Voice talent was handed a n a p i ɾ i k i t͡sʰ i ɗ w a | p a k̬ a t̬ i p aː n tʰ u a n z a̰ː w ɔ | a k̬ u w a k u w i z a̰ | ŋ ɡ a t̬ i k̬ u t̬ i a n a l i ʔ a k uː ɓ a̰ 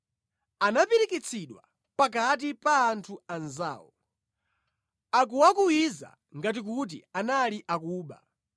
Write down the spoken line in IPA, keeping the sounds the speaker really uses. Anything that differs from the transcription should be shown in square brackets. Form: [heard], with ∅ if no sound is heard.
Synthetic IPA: a n a p i ɾ i k i t͡sʰ i ɗ w a | p a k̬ a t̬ i p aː n tʰ u a n z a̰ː w ɔ | a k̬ u w a k u w i z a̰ | ŋ ɡ a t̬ i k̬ u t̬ i a n a l i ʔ a k uː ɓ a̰